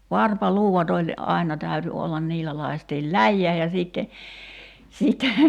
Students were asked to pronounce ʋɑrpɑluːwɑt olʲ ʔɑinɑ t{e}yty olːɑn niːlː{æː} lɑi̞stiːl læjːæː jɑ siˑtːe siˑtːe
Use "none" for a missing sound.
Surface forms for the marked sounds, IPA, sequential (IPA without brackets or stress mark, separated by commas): æ, æ